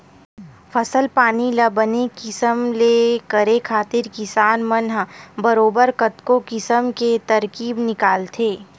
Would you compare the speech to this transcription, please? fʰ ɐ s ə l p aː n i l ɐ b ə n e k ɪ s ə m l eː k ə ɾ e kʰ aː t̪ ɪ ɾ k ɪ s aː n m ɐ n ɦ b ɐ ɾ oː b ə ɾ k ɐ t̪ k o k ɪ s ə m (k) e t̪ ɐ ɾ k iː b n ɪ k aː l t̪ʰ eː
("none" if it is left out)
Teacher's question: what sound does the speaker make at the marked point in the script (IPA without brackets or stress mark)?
k